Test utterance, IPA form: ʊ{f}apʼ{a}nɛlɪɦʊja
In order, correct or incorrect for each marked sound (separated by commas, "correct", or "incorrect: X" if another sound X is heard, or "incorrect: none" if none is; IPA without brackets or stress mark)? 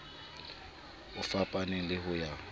correct, correct